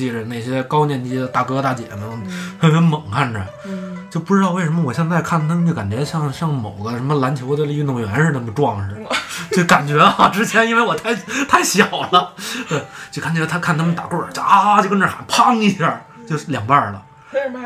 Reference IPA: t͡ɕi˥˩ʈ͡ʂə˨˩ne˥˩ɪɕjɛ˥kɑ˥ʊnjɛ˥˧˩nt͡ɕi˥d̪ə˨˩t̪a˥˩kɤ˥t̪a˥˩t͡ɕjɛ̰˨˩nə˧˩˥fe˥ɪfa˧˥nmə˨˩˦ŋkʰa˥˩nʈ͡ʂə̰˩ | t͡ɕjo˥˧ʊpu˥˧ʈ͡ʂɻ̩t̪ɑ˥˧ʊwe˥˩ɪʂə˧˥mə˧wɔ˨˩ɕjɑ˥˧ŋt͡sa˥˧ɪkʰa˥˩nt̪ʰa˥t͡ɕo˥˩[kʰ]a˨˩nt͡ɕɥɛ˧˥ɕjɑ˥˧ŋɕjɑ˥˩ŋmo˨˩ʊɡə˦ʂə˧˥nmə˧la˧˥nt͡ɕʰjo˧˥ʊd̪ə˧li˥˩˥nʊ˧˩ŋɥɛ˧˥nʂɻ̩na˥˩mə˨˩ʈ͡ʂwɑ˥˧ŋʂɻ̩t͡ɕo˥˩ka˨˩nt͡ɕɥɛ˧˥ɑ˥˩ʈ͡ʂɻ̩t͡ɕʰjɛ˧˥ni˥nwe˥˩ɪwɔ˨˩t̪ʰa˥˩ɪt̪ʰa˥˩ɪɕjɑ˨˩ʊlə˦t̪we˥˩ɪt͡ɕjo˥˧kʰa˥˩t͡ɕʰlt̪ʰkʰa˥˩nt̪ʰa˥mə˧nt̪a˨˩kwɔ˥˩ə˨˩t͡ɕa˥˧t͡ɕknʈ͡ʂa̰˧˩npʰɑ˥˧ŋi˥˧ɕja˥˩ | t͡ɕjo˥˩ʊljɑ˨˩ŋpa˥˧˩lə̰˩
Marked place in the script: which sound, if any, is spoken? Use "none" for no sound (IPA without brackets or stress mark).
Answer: k